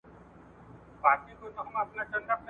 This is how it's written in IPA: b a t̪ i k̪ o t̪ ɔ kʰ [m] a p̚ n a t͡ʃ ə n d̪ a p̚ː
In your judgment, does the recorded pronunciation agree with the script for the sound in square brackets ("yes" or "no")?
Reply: yes